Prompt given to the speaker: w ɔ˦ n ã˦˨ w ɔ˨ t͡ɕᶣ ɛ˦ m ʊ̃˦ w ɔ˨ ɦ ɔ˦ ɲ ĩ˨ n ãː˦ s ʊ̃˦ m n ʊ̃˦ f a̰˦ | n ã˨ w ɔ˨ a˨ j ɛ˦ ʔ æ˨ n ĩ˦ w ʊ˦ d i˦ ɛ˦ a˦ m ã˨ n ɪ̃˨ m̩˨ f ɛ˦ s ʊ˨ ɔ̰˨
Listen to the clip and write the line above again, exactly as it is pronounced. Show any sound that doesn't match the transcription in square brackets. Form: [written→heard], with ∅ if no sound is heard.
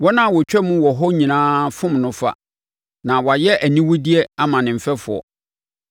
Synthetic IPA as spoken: w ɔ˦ n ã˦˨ w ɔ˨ t͡ɕᶣ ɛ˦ m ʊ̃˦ w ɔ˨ ɦ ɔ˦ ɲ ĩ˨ n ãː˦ [s→f] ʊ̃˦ m n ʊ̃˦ f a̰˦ | n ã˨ w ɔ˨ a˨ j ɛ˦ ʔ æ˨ n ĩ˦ w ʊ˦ d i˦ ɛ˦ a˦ m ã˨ n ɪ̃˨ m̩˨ f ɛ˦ [s→f] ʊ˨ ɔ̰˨